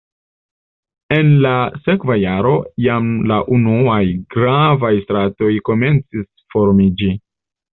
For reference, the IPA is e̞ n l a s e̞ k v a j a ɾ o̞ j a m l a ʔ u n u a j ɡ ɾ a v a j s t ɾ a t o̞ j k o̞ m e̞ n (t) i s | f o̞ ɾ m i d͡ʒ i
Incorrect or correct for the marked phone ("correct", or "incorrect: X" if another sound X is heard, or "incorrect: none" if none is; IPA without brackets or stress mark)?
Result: incorrect: t͡s